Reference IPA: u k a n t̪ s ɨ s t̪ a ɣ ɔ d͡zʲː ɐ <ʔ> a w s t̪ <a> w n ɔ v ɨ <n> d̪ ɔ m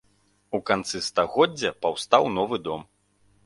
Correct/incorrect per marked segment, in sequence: incorrect: p, correct, incorrect: none

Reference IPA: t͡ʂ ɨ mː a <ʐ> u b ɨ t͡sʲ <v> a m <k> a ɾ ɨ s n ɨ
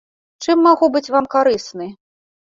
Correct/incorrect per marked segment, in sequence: incorrect: ɣ, correct, correct

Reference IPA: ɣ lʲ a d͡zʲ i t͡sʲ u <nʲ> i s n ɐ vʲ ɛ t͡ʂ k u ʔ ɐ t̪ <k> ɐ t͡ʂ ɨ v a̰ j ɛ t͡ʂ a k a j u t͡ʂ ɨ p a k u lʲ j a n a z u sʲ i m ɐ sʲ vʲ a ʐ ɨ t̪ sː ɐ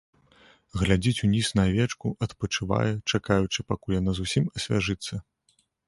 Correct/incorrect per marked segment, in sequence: correct, incorrect: p

